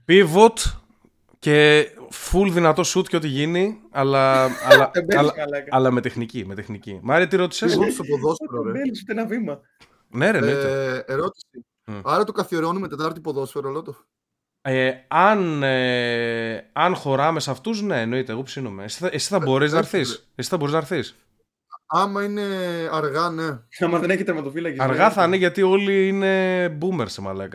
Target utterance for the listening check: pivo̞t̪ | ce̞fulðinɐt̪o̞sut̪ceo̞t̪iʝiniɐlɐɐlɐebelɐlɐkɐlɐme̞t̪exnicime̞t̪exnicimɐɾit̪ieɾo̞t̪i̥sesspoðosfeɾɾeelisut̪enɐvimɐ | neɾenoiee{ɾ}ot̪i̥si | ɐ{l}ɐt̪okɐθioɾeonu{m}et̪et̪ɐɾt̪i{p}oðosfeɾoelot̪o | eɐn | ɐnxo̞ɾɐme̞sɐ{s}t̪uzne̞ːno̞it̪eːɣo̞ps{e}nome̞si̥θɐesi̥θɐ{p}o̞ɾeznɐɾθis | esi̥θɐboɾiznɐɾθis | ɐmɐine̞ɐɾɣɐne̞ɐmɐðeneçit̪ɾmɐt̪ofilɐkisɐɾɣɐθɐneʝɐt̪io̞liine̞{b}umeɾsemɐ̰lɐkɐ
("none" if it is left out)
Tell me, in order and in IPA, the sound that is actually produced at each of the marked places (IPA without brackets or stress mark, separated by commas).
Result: ɾ, ɾ, m, p, f, i, b, b